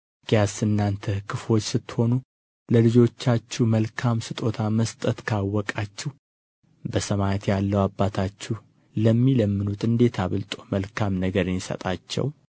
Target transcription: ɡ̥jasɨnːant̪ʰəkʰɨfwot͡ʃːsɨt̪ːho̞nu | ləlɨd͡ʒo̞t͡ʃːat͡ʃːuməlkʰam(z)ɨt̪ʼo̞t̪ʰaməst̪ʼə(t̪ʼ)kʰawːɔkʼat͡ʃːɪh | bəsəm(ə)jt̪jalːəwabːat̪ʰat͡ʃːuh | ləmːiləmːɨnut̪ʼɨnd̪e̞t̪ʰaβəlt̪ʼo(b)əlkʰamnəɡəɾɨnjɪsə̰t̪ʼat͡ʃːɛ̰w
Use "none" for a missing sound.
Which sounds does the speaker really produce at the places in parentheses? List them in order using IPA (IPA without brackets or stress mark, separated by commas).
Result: s, t̪, a, m